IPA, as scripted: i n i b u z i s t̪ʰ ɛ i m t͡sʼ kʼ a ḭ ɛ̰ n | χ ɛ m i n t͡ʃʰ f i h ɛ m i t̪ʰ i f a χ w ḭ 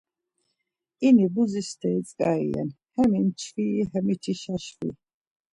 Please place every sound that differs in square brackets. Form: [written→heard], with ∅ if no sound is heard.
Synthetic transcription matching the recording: i n i b u z i s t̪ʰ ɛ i [m→∅] t͡sʼ kʼ a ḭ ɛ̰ n | [χ→h] ɛ m i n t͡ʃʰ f i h ɛ m i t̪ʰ i [f→ʃ] a [χ→ʃ] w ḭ